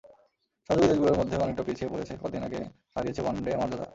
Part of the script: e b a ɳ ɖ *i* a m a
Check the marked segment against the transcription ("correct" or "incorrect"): incorrect